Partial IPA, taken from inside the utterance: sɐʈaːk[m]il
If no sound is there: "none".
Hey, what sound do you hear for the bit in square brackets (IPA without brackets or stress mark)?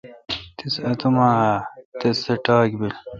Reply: b